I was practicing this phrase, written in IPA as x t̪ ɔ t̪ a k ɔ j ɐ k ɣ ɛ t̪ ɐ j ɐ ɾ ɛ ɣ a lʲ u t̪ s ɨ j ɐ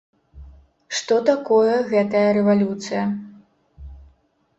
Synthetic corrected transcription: ʂ t̪ ɔ t̪ a k ɔ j ɐ ɣ ɛ t̪ ɐ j ɐ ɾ ɛ v a lʲ u t̪ s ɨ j ɐ